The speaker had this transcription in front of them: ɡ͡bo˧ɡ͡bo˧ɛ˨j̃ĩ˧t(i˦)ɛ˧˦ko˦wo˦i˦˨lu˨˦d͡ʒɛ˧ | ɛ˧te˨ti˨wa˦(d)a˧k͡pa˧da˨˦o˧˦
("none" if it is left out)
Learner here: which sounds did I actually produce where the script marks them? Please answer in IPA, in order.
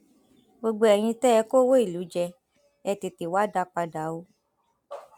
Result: ɛ˦, d

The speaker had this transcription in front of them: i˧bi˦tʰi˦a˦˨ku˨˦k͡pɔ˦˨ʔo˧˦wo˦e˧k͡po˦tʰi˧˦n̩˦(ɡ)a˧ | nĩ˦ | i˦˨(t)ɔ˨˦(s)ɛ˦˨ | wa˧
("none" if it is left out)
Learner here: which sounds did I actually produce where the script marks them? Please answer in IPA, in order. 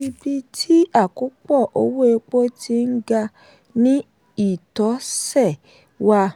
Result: ɡ, t, s

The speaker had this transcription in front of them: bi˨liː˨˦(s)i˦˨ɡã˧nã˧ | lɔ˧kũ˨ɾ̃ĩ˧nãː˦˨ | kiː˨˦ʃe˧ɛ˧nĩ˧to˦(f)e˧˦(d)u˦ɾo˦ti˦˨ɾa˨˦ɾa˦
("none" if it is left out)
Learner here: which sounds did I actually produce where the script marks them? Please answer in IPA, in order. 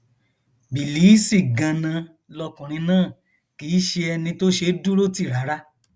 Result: s, ʃ, d

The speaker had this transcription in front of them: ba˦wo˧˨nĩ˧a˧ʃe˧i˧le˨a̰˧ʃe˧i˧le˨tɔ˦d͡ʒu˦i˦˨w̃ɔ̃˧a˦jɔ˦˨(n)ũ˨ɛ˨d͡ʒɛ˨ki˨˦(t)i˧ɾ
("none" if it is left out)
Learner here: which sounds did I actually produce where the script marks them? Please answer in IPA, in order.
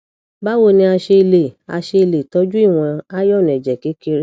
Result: n, k

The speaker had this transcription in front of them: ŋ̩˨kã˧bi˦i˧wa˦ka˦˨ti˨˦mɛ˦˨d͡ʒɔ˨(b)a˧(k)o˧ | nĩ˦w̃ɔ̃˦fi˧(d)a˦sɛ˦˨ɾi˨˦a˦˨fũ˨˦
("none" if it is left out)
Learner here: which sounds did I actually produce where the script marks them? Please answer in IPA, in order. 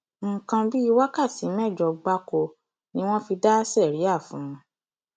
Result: ɡ͡b, k, d

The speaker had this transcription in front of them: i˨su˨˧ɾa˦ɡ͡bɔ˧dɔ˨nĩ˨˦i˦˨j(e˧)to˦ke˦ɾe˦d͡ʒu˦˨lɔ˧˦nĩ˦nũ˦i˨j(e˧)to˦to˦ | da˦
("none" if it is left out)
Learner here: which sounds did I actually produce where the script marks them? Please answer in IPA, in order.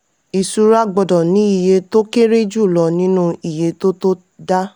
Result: e˧, e˧

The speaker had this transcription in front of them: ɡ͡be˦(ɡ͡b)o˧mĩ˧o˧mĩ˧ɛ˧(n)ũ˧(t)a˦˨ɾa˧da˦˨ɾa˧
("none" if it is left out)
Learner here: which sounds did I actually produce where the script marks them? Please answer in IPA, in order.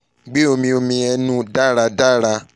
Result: none, n, d

